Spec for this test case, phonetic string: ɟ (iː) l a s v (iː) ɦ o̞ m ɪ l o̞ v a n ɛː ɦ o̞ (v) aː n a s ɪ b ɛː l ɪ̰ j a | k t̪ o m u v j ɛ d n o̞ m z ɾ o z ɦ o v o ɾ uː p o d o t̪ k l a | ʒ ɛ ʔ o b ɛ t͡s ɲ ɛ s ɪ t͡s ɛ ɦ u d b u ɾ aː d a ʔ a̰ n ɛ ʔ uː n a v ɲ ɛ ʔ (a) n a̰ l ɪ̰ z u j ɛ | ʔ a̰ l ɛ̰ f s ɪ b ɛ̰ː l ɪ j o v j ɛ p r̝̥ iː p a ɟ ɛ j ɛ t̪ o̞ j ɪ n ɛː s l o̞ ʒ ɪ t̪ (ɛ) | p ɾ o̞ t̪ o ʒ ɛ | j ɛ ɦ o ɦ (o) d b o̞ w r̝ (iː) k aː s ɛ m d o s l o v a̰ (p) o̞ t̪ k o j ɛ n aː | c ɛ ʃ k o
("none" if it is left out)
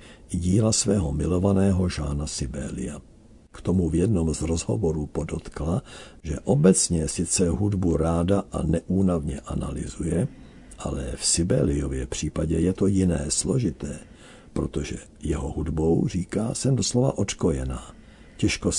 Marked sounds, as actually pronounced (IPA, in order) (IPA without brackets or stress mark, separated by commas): iː, ɛː, ʒ, a, ɛː, u, iː, ʔ